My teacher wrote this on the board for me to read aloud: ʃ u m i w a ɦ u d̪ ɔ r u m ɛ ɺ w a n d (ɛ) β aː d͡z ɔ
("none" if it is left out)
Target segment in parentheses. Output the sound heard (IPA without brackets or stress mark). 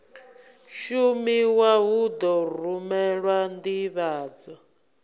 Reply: i